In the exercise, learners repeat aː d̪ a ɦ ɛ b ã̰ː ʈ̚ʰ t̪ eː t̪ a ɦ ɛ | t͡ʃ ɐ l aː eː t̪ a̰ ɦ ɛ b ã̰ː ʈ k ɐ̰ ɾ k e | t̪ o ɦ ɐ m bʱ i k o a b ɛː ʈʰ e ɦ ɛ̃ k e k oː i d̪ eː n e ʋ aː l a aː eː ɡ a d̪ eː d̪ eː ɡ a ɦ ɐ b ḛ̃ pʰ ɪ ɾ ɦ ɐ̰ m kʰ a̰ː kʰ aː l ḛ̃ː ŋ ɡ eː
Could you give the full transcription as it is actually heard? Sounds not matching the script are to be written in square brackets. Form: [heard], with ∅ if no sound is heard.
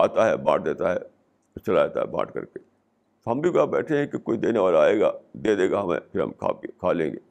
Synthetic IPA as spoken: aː [t̪] a ɦ ɛ b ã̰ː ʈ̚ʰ [d̪] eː t̪ a ɦ ɛ | t͡ʃ ɐ l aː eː t̪ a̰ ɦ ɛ b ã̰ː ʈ k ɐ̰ ɾ k e | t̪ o ɦ ɐ m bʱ i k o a b ɛː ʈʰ e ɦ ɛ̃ k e k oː i d̪ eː n e ʋ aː l a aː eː ɡ a d̪ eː d̪ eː ɡ a ɦ ɐ [m] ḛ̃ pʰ ɪ ɾ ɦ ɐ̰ m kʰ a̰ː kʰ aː l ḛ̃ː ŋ ɡ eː